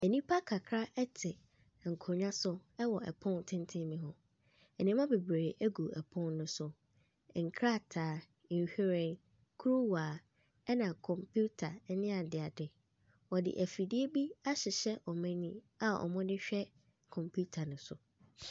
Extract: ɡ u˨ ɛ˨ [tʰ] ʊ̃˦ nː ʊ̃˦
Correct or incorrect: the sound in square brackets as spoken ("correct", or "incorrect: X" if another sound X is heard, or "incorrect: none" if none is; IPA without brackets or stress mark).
incorrect: pʰ